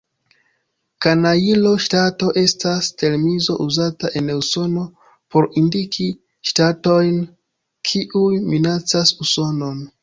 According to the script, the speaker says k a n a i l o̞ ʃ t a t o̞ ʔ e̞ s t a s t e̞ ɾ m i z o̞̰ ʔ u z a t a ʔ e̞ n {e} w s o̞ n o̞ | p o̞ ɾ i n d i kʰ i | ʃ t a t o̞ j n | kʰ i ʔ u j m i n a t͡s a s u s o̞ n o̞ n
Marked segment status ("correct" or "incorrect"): correct